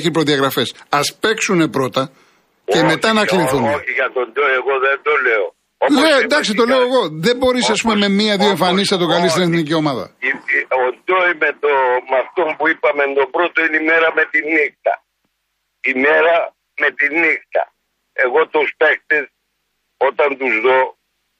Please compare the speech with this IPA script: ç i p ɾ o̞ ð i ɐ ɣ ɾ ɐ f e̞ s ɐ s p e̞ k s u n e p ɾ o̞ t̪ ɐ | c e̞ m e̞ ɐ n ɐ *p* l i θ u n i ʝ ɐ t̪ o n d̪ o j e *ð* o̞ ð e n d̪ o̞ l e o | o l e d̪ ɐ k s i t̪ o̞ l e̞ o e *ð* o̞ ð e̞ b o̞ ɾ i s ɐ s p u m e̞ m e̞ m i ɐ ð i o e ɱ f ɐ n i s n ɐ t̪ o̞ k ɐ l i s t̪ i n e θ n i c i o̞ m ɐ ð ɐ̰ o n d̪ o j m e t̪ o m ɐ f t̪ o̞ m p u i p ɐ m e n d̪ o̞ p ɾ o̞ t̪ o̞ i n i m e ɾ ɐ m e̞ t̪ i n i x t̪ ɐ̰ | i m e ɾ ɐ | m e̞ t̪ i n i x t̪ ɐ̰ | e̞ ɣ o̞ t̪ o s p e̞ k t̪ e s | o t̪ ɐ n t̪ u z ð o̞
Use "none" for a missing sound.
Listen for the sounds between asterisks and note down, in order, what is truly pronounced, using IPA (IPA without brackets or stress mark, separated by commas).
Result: k, ɣ, ɣ